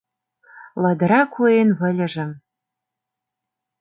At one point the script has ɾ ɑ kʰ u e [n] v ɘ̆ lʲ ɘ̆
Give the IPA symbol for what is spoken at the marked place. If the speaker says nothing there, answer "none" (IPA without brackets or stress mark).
n